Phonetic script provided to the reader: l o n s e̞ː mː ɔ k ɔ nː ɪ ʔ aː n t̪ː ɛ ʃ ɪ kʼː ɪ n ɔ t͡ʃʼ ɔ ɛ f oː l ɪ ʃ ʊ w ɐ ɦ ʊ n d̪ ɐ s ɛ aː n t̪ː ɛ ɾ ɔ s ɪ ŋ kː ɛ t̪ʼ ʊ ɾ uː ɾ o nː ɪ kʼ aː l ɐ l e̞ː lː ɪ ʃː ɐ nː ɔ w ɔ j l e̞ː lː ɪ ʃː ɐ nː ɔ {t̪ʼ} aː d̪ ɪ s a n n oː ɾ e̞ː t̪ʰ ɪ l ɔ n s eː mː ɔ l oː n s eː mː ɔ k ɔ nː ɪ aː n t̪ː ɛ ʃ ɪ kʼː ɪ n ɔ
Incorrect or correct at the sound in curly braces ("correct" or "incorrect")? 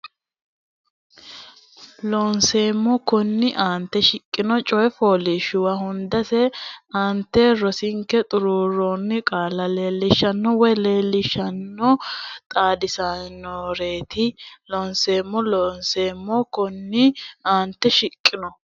correct